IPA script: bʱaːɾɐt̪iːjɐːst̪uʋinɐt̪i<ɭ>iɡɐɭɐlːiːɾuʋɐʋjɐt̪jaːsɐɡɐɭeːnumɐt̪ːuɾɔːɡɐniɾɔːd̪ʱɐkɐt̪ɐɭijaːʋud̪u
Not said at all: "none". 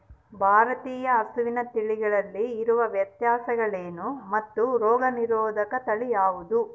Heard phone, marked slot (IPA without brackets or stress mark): ɭ